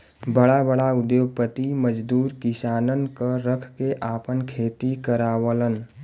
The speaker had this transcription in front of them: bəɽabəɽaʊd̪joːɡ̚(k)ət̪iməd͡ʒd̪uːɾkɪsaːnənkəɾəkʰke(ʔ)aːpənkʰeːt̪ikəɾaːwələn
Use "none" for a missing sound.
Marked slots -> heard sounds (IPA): p, ʔ

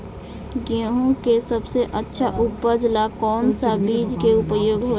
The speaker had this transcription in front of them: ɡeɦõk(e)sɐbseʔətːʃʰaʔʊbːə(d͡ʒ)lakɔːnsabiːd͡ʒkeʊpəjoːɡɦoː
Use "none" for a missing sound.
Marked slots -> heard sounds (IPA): e, d͡ʒ

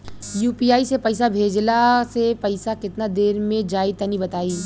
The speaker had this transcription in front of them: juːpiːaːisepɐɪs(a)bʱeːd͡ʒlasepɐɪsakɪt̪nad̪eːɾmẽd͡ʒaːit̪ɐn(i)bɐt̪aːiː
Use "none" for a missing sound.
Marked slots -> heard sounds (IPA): a, i

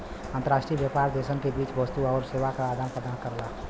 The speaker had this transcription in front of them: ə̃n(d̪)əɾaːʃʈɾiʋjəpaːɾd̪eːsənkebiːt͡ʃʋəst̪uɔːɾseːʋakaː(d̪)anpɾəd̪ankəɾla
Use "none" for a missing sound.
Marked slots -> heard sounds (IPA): t̪, d̪

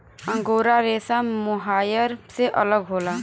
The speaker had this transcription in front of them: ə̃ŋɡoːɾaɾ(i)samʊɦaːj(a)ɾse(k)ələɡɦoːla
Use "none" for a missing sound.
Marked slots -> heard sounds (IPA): e, ə, ʔ

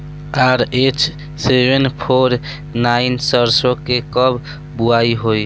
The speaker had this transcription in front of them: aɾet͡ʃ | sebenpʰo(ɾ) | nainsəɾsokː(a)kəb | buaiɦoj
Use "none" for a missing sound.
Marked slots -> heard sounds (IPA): ɾ, e

